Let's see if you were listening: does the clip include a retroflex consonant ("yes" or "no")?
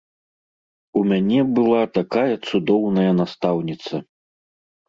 no